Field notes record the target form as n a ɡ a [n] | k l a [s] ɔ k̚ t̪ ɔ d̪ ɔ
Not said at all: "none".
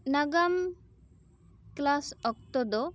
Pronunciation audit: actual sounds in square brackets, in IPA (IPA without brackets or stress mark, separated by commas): m, s